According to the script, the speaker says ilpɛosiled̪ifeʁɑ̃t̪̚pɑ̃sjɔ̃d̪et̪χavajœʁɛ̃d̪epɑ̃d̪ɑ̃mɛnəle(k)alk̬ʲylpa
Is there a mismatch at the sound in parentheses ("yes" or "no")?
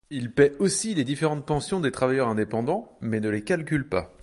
no